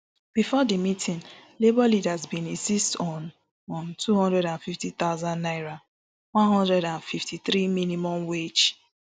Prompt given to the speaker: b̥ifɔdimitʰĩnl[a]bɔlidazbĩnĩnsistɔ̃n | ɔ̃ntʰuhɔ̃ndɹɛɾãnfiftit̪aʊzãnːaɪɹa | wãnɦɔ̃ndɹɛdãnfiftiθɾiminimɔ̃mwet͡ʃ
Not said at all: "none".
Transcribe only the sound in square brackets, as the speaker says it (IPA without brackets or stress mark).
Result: e